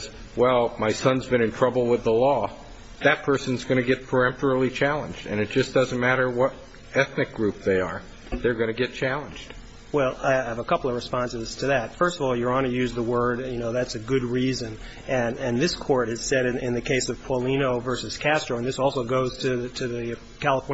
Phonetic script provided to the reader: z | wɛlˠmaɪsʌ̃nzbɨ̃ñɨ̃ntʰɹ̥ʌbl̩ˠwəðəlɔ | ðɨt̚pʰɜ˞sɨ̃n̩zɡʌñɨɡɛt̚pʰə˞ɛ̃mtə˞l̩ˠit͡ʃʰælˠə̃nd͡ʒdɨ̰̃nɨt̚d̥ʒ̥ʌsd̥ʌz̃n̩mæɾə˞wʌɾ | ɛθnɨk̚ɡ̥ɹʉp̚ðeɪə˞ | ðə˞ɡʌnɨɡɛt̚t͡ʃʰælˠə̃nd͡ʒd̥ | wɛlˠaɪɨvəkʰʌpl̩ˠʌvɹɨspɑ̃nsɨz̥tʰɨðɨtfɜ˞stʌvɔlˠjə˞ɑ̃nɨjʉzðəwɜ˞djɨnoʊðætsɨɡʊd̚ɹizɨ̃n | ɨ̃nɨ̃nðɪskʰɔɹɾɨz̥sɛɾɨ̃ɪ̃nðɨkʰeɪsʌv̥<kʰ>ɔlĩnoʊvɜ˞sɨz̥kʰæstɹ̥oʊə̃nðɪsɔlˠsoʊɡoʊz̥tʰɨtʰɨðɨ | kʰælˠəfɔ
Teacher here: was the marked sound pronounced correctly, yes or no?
no